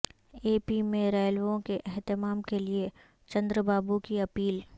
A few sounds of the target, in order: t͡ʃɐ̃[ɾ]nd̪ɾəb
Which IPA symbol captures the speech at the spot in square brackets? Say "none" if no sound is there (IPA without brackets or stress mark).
none